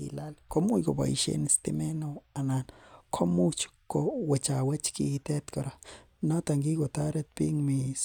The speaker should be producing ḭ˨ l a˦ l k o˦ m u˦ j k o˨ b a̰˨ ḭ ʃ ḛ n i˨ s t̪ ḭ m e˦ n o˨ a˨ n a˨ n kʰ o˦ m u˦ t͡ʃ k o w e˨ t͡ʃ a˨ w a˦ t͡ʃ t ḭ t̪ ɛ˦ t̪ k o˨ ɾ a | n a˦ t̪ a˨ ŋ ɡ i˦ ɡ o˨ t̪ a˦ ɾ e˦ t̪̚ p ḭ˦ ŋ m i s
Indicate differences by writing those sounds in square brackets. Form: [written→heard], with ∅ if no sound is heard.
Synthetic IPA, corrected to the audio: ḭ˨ l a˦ l k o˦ m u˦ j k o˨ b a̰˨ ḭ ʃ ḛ n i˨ s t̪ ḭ m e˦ n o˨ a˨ n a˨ n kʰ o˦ m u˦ t͡ʃ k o w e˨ t͡ʃ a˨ w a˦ t͡ʃ [t→k] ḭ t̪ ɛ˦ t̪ k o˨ ɾ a | n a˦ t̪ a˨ ŋ ɡ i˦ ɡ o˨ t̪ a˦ ɾ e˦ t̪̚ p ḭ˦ ŋ m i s